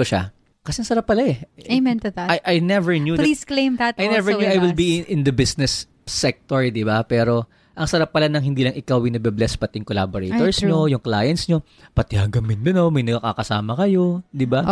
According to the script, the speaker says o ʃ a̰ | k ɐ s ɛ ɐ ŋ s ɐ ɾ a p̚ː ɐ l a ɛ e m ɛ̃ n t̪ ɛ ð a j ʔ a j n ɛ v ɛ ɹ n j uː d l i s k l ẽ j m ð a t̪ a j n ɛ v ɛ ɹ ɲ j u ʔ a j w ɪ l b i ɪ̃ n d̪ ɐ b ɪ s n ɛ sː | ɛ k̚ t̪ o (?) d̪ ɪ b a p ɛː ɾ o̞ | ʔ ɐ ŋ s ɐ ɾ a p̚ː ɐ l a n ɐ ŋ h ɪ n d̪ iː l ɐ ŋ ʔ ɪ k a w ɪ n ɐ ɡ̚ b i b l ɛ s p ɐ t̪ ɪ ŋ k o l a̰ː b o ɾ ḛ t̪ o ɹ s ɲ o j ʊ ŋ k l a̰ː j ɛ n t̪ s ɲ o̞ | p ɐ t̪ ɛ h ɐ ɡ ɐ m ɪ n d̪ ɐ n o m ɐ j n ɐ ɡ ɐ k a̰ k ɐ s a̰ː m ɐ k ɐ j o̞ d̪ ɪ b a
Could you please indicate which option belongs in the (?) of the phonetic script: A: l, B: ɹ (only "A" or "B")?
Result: B